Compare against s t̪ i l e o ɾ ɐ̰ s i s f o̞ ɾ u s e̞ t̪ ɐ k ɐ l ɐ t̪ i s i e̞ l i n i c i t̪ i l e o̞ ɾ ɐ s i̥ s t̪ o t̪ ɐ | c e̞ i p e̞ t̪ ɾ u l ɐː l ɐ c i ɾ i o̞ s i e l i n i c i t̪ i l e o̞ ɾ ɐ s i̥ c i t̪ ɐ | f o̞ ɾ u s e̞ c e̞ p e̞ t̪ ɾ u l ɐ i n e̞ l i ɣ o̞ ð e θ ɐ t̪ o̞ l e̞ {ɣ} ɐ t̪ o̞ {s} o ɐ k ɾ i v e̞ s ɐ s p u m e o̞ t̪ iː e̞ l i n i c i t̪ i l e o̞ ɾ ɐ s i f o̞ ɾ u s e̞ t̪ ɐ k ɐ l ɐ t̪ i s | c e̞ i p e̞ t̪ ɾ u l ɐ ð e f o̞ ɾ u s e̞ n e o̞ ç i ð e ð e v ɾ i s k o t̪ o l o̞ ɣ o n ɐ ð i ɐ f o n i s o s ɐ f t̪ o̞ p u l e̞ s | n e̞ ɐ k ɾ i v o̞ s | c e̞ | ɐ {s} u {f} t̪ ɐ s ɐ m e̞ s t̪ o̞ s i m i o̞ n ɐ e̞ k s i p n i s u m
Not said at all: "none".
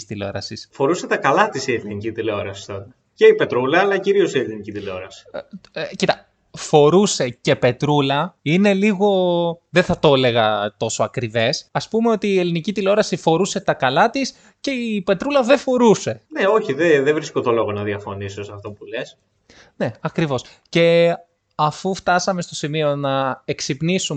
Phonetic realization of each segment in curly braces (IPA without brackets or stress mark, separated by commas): ɣ, s, f, f